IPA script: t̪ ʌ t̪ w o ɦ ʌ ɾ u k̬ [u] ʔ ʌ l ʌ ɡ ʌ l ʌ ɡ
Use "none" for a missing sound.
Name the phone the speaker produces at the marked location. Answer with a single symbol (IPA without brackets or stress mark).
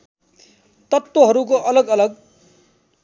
o